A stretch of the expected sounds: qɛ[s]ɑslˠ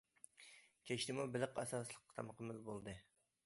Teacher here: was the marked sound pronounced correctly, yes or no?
yes